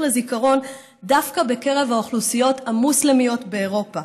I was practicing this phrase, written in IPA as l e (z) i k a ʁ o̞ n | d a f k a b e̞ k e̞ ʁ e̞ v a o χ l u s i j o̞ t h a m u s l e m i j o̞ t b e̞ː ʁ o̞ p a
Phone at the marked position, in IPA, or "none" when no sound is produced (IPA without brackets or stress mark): z